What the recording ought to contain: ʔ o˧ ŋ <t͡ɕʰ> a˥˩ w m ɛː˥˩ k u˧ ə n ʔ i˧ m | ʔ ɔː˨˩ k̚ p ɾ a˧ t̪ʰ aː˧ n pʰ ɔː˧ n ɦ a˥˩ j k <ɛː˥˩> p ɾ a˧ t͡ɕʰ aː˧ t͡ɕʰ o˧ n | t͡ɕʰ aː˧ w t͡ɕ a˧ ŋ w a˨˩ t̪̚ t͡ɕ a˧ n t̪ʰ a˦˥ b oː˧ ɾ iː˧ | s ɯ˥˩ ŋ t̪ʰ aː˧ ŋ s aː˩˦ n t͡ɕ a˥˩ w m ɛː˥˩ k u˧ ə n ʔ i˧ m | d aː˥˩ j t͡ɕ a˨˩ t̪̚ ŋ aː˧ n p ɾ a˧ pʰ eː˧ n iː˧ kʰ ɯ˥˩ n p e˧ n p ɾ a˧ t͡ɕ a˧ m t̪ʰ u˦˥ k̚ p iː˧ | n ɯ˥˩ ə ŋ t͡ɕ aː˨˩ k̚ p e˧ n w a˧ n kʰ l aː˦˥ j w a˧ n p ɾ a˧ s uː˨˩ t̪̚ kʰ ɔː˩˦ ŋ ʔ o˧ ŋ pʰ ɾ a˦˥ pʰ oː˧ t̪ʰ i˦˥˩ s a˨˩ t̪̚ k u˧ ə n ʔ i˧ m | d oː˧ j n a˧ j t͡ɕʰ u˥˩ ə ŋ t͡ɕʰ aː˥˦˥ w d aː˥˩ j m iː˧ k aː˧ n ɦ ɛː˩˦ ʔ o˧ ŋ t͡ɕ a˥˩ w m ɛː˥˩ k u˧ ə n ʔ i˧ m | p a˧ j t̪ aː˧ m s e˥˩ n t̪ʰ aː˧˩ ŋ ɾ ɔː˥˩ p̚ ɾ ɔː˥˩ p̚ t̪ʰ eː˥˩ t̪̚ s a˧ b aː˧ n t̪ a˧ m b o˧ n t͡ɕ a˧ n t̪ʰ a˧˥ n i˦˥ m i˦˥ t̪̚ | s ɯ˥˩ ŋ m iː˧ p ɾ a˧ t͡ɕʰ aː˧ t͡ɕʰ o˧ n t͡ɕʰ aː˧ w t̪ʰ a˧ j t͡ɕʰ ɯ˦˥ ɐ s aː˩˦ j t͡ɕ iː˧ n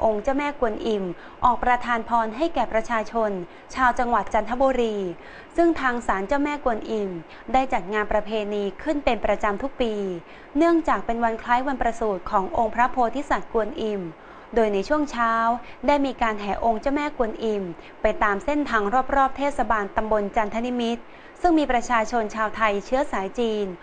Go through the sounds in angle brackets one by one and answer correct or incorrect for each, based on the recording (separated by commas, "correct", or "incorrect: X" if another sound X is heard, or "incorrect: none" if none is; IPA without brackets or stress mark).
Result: incorrect: t͡ɕ, incorrect: ɛː˨˩